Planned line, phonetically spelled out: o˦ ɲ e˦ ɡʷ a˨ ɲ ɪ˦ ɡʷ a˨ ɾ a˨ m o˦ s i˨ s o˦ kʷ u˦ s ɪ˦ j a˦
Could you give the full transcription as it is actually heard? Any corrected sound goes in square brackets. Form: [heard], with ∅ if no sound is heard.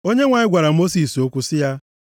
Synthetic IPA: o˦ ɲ e˦ [ŋʷ] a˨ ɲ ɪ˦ ɡʷ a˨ ɾ a˨ m o˦ s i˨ s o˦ kʷ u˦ s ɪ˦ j a˦

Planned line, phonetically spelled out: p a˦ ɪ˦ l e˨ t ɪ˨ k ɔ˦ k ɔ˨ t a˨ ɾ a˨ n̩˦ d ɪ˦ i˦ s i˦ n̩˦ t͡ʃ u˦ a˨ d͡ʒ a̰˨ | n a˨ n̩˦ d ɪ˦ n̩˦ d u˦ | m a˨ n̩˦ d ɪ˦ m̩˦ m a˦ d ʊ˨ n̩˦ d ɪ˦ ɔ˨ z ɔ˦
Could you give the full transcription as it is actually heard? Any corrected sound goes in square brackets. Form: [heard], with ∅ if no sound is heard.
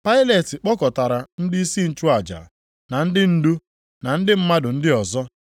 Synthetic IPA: p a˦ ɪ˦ l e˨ t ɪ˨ [k͡p] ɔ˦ k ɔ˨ t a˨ ɾ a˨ n̩˦ d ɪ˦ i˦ s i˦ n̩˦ t͡ʃ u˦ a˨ d͡ʒ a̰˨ | n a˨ n̩˦ d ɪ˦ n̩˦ d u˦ | [n] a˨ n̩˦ d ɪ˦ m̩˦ m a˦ d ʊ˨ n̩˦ d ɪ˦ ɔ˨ z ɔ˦

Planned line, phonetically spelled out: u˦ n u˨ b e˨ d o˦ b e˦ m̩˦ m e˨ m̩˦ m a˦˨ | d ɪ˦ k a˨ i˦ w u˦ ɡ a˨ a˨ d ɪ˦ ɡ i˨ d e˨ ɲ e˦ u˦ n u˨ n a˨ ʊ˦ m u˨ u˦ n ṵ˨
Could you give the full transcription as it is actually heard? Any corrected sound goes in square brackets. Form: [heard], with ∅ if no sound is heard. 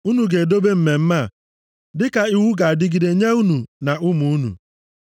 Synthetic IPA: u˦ n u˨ [ɡ] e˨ d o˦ b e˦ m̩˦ m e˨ m̩˦ m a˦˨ | d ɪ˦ k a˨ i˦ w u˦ ɡ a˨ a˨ d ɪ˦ ɡ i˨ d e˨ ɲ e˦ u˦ n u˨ n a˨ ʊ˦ m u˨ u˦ n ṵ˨

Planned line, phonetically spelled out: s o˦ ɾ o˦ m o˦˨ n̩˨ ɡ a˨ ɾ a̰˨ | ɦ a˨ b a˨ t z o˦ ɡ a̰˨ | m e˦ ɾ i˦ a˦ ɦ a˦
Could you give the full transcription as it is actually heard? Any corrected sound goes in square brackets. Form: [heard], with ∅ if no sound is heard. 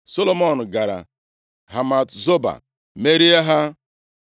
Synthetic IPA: s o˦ [l] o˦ m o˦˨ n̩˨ ɡ a˨ ɾ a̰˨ | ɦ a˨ [m] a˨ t z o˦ [b] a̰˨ | m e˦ ɾ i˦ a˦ ɦ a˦

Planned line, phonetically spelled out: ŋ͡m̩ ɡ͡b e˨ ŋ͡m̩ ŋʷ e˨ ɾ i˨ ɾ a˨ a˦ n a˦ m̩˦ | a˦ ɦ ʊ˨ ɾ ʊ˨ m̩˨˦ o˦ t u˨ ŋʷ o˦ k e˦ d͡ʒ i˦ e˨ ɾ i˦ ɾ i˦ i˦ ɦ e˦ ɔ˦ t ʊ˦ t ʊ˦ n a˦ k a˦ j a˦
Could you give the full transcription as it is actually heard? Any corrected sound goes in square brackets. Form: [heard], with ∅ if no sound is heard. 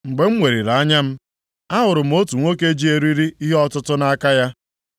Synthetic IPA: ŋ͡m̩ ɡ͡b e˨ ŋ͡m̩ ŋʷ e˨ ɾ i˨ ɾ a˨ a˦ [ɲ] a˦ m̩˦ | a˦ ɦ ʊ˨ ɾ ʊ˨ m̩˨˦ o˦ t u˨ ŋʷ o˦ k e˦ d͡ʒ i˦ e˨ ɾ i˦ ɾ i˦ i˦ ɦ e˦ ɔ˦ t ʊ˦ t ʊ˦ n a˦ k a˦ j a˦

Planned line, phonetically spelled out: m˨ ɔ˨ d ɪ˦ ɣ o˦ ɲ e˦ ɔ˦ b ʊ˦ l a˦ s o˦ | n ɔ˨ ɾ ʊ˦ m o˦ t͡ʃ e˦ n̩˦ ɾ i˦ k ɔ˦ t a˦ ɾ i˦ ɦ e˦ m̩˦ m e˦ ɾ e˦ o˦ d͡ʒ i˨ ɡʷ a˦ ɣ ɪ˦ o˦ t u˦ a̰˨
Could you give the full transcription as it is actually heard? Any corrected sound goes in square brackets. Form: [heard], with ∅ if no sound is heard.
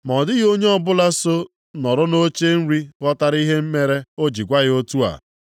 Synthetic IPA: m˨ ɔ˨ d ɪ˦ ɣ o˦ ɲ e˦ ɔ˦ b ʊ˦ l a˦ s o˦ | n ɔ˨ ɾ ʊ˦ [n] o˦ t͡ʃ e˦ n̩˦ ɾ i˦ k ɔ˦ t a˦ ɾ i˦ ɦ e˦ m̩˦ m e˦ ɾ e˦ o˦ d͡ʒ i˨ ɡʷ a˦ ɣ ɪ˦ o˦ t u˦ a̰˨

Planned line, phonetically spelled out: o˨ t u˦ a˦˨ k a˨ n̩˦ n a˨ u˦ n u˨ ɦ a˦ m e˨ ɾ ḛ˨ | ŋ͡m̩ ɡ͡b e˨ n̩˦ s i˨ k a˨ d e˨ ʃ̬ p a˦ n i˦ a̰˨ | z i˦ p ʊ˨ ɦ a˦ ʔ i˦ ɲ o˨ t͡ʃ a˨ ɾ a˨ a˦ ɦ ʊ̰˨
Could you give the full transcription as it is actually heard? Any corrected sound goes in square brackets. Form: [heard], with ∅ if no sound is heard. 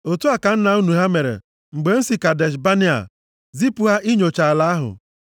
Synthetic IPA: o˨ t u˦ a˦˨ k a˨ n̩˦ n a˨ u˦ n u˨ ɦ a˦ m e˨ ɾ ḛ˨ | ŋ͡m̩ ɡ͡b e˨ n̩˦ s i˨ k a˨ d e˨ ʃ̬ [b] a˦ n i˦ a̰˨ | z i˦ p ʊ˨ ɦ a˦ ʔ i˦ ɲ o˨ t͡ʃ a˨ [l] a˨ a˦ ɦ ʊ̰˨

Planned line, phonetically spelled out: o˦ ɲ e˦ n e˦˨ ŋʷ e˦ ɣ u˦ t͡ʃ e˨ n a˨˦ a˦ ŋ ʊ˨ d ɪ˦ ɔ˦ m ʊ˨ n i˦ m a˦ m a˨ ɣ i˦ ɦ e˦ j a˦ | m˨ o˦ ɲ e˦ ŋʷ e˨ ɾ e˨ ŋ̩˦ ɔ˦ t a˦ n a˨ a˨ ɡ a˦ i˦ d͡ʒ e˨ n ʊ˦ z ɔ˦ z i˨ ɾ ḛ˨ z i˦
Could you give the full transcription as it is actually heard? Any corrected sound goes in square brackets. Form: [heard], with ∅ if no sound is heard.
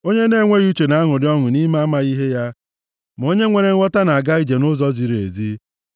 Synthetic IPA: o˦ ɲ e˦ n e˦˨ ŋʷ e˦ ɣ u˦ t͡ʃ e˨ n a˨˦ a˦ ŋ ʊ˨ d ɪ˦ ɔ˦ [ŋ] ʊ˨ n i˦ m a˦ m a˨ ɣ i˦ ɦ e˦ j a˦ | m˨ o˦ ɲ e˦ ŋʷ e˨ ɾ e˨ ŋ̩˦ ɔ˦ t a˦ n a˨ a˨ ɡ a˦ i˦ d͡ʒ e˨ n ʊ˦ z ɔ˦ z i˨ ɾ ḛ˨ z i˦

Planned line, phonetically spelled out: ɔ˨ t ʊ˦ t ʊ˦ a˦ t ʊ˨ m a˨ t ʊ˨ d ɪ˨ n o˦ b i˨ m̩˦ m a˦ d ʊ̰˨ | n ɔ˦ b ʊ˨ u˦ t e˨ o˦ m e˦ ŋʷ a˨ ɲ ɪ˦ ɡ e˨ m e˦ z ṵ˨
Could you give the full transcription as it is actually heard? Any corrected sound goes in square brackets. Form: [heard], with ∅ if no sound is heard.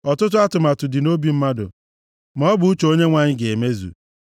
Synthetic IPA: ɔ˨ t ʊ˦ t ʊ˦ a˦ t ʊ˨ m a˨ t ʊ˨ d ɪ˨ n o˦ b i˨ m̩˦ m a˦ d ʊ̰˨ | [m] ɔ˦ b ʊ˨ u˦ [t͡ʃ] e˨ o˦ [ɲ] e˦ ŋʷ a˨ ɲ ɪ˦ ɡ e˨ m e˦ z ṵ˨

